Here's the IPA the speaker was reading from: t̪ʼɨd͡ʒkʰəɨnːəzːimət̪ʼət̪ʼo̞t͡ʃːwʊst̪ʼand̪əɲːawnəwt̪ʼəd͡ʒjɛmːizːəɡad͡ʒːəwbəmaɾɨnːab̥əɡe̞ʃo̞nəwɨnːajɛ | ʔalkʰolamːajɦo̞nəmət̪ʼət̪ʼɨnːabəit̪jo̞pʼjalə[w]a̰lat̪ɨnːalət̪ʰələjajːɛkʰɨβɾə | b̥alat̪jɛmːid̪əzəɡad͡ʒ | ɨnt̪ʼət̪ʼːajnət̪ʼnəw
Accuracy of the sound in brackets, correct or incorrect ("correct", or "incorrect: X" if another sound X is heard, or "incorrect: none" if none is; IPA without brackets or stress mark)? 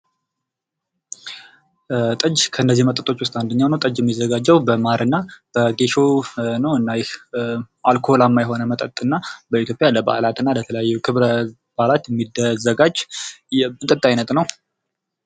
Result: incorrect: b